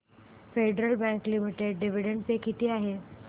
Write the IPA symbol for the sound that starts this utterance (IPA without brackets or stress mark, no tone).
f